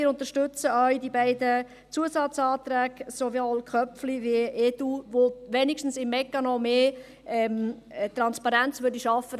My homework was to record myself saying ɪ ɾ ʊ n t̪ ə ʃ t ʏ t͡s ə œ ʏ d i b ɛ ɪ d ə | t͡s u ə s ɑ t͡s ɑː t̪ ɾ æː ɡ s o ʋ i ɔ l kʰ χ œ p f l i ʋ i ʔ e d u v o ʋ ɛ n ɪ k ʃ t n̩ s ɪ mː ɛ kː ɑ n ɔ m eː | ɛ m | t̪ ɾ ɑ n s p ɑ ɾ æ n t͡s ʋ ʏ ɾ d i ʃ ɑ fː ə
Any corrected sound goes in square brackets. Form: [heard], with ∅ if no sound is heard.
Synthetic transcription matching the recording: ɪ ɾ ʊ n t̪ ə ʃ t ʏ t͡s ə œ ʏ d i b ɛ ɪ d ə | t͡s u ə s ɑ t͡s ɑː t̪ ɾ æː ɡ s o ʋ i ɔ l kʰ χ œ p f l i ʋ i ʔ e d u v o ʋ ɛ n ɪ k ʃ t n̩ s ɪ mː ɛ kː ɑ n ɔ m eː | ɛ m | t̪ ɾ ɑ n s p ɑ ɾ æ n t͡s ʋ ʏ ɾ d i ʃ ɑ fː ə